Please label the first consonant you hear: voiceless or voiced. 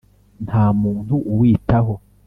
voiced